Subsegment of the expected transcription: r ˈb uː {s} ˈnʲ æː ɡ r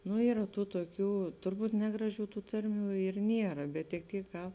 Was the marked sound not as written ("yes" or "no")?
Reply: yes